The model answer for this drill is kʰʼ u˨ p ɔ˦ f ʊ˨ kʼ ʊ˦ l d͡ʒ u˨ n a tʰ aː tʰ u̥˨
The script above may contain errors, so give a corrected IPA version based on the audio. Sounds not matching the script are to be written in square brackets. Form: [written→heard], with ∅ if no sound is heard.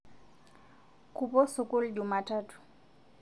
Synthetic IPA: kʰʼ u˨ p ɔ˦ [f→s] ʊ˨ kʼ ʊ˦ l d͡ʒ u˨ [n→m] a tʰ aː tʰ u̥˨